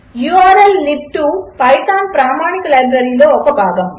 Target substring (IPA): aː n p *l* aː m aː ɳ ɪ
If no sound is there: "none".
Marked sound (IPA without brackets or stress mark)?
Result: ɾ